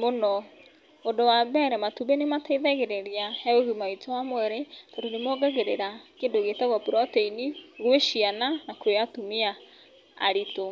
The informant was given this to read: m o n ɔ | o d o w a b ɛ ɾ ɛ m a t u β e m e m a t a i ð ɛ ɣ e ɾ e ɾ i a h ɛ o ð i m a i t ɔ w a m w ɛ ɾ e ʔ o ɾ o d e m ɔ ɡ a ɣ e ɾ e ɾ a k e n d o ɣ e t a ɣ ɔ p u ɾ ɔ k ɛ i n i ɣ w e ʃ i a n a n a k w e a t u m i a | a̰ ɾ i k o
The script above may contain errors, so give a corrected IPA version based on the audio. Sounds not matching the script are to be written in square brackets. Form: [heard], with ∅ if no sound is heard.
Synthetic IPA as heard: m o n ɔ | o d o w a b ɛ ɾ ɛ m a t u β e [n] e m a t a i ð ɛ ɣ e ɾ e ɾ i a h ɛ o [ɣ] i m a i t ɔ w a m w ɛ ɾ e [t] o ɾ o [n] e m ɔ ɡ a ɣ e ɾ e ɾ a k e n d o ɣ e t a ɣ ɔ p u ɾ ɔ [t] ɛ i n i ɣ w e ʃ i a n a n a k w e a t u m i a | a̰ ɾ i [t] o